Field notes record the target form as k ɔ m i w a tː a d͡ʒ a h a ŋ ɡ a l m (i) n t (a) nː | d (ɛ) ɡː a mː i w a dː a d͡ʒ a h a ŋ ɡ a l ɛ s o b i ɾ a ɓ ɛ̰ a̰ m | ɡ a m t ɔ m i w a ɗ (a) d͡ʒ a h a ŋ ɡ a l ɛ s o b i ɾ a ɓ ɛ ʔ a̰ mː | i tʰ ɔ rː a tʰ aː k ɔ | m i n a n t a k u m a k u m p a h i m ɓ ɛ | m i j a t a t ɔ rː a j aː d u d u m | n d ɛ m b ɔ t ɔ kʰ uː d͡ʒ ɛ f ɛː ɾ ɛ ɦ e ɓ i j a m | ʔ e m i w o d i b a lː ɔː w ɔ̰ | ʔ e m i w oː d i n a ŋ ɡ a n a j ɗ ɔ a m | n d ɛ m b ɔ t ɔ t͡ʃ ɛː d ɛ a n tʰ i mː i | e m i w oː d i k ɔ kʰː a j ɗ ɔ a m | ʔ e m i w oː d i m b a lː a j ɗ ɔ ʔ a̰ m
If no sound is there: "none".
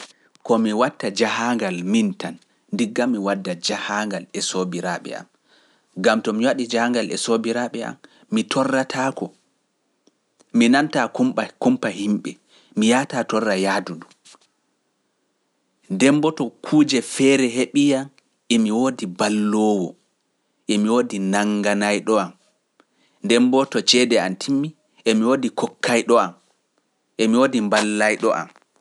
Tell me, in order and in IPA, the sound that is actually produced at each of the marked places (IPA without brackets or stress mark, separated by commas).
i, a, i, i